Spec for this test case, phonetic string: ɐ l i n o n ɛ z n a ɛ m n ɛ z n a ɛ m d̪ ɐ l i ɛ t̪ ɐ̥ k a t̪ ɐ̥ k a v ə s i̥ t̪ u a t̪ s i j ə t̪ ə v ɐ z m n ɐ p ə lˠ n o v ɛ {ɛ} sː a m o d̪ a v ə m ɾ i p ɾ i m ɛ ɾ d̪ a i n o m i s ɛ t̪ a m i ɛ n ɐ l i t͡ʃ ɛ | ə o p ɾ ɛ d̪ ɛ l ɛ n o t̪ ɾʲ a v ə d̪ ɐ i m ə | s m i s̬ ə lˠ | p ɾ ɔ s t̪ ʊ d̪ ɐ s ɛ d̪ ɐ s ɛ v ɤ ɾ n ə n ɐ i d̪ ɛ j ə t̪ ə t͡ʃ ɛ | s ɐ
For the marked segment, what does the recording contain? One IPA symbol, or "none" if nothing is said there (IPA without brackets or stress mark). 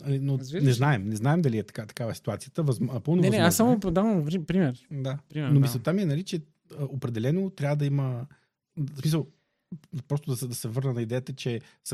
a